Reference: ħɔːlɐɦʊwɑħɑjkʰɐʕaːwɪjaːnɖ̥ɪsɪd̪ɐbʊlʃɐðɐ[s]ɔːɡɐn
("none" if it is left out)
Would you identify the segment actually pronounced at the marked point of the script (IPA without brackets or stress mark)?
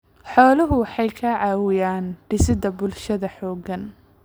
ħ